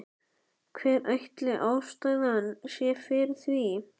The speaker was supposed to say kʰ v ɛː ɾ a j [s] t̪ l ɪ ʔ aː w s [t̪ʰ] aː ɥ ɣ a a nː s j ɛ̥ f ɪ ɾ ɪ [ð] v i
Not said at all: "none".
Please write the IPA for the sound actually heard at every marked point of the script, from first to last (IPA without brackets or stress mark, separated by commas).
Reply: h, t̪, θ